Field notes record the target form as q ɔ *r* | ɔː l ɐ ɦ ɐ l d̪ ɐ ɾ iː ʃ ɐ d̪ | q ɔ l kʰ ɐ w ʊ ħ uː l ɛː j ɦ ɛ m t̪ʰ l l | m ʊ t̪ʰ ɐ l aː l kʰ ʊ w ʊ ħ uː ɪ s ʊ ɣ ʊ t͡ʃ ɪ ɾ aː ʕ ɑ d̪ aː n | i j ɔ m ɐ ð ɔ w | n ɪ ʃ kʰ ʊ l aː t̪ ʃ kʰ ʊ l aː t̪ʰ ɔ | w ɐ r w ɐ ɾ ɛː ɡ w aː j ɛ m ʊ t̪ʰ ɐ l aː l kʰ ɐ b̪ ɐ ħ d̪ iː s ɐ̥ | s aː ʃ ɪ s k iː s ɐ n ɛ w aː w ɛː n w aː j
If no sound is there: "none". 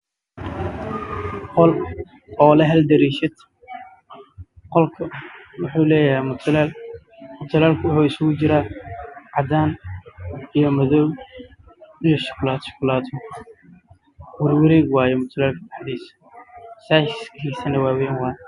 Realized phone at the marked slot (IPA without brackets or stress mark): l